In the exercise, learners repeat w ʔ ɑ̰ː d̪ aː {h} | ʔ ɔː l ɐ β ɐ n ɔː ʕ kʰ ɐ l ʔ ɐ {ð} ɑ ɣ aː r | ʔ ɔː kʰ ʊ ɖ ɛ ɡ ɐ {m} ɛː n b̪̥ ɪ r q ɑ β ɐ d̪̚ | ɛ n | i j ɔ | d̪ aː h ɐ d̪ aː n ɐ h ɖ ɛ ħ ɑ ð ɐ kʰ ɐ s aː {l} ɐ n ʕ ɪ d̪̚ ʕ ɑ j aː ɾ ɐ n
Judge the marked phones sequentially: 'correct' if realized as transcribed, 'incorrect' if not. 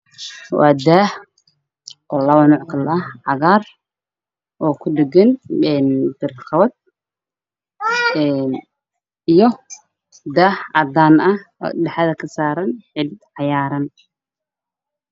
correct, incorrect: ʕ, incorrect: n, incorrect: ɾ

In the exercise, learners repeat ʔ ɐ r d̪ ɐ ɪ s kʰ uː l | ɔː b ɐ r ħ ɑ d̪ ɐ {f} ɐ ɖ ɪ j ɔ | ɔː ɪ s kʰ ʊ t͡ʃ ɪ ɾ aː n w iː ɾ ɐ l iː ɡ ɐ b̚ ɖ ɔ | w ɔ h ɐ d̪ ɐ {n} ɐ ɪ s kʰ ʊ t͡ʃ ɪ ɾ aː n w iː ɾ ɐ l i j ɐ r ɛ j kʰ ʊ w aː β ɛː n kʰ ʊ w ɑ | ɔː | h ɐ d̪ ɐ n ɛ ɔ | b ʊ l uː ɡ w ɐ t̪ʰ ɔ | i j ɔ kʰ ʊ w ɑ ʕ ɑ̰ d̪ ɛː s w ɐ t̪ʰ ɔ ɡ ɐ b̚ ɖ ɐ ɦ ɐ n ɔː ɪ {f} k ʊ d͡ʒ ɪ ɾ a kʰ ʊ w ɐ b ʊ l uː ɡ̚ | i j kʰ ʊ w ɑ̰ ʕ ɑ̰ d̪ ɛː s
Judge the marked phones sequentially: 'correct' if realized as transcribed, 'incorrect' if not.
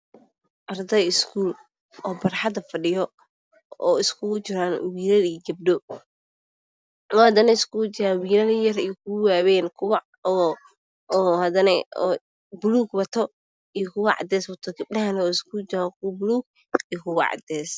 correct, correct, incorrect: s

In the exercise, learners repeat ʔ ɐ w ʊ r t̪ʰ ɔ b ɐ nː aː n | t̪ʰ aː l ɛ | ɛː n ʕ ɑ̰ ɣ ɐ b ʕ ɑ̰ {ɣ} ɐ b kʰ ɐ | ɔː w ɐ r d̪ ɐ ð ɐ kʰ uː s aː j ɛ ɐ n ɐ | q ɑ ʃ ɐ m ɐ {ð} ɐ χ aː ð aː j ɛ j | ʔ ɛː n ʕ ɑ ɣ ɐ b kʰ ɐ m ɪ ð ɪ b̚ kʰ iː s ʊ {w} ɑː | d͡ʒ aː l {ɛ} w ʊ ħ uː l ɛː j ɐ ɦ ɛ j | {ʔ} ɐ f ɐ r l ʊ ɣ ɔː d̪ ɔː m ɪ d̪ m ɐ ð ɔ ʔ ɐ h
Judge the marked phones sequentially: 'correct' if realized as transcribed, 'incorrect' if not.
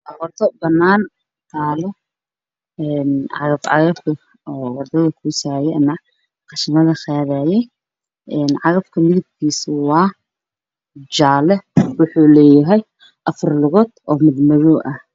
correct, correct, correct, correct, correct

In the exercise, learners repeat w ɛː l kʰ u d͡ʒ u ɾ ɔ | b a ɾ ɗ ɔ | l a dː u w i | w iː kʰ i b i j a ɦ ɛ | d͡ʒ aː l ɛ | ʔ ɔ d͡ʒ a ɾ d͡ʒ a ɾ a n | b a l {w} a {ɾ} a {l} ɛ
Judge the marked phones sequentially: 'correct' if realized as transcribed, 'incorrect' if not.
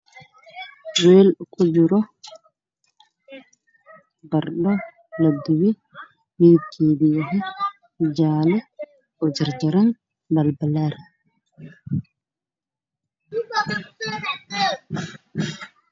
incorrect: b, incorrect: l, incorrect: ɾ

